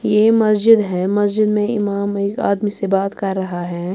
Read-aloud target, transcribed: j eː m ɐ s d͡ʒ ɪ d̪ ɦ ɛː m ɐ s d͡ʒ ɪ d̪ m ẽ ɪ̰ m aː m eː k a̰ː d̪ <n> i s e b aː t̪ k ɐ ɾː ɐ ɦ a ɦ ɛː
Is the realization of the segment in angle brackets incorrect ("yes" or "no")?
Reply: yes